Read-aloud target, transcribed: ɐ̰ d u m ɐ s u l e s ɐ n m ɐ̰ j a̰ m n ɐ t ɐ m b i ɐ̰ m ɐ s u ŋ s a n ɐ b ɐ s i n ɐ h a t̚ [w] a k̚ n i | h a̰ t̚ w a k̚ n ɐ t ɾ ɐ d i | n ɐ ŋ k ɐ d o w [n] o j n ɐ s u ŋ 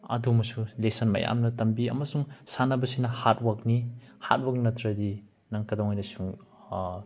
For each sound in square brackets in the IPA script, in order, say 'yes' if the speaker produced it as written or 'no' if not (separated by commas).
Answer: yes, no